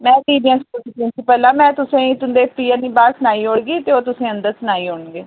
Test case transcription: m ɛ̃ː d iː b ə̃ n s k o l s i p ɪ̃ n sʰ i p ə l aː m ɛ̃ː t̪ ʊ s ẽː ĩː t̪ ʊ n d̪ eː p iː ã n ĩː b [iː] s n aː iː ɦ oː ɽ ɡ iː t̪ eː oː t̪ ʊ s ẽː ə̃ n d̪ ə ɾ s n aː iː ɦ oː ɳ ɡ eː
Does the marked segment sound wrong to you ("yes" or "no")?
yes